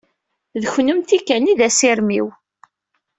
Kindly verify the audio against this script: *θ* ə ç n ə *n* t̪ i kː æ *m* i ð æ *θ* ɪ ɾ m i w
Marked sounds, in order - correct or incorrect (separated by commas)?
incorrect, incorrect, incorrect, incorrect